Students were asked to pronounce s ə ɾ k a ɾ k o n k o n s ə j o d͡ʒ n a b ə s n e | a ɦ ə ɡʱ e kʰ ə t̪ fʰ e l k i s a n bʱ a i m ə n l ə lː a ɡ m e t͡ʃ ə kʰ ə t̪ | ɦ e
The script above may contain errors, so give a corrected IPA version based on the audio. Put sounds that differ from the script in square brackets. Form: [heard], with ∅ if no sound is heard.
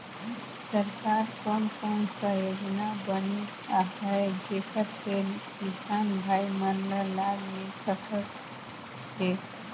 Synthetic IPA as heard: s ə ɾ k a ɾ k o n k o n s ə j o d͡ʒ n a b ə [∅] n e | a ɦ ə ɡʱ e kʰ ə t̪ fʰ e l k i s a n bʱ a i m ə n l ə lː a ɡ m e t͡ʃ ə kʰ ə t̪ | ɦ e